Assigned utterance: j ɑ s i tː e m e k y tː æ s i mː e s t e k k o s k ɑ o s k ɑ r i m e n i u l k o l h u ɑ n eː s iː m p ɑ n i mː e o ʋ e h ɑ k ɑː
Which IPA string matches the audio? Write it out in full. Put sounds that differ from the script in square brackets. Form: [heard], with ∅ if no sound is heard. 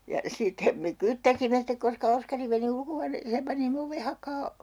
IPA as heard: j ɑ s i tː e m e k y tː æ s i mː e s t e k k o s k ɑ o s k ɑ r i m e n i u l k o [∅] h u ɑ n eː s [eː] m p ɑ n i mː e o ʋ e h ɑ k ɑː